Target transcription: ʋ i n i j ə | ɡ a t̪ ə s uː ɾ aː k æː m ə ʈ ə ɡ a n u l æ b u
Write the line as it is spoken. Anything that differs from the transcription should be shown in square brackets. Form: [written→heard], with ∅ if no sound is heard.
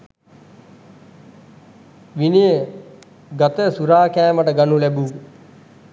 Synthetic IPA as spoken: ʋ i n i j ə | ɡ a t̪ ə s [uː→u] ɾ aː k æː m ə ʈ ə ɡ a n u l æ b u